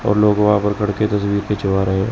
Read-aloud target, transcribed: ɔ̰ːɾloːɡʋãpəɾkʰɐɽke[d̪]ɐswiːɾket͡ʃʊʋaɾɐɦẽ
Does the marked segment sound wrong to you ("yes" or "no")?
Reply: yes